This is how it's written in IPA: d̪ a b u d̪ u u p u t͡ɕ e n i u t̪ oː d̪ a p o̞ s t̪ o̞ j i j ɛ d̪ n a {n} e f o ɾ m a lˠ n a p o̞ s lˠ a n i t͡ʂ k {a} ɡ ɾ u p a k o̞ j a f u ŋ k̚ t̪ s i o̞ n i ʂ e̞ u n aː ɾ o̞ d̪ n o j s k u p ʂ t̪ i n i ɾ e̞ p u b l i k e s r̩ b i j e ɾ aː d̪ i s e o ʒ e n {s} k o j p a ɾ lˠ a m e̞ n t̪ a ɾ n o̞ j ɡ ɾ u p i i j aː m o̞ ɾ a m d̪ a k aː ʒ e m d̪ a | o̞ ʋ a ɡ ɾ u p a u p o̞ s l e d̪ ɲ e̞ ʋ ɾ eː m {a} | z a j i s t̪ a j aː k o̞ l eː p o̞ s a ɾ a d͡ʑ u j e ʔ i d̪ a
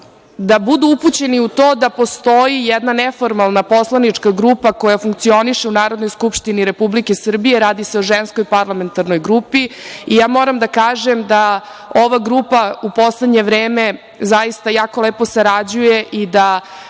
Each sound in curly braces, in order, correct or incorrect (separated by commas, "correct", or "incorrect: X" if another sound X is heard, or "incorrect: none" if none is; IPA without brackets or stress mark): correct, correct, correct, incorrect: e